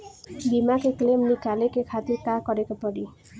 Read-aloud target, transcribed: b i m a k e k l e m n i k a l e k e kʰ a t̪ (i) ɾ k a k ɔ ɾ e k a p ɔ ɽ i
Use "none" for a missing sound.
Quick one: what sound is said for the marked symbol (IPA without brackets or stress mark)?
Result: i